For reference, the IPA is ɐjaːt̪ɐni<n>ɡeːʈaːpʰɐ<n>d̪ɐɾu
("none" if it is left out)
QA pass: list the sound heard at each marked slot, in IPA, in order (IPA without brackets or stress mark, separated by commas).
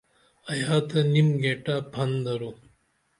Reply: m, n